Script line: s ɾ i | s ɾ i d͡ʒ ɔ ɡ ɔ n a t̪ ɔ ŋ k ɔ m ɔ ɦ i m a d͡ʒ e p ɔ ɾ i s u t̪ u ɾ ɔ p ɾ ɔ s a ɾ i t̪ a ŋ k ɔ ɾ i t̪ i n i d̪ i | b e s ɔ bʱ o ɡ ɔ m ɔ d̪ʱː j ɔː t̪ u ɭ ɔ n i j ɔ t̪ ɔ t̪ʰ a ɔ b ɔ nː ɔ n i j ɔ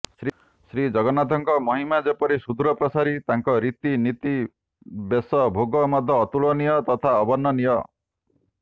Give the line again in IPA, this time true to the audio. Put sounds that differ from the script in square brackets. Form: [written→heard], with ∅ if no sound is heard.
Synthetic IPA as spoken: s ɾ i | s ɾ i d͡ʒ ɔ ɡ ɔ n a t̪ ɔ ŋ k ɔ m ɔ ɦ i m a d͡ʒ e p ɔ ɾ i s u [t̪→d̪] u ɾ ɔ p ɾ ɔ s a ɾ i t̪ a ŋ k ɔ ɾ i t̪ i n i [d̪→t̪] i | b e s ɔ bʱ o ɡ ɔ m ɔ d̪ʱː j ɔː t̪ u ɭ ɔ n i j ɔ t̪ ɔ t̪ʰ a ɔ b ɔ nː ɔ n i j ɔ